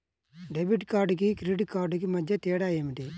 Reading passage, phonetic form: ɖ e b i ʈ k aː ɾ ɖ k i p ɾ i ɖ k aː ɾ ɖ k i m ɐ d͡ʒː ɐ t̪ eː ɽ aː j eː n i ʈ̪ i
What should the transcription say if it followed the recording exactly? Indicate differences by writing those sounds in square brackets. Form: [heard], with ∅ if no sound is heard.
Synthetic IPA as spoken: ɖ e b i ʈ k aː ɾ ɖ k i [k] ɾ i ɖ k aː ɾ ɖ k i m ɐ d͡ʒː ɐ t̪ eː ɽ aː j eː [m] i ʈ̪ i